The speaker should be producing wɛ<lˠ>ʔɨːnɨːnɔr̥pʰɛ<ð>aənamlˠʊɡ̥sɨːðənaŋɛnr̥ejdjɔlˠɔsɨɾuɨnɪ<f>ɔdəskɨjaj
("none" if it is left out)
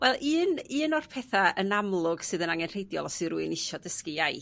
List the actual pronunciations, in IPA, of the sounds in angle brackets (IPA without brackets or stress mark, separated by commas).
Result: lˠ, θ, ʃ